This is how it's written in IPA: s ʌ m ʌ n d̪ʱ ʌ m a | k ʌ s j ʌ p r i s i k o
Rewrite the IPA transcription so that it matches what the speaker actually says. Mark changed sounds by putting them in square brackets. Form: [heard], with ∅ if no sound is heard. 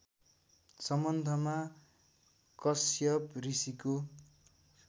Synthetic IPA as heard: s ʌ m ʌ n d̪ʱ ʌ m a | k ʌ s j ʌ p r i s i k o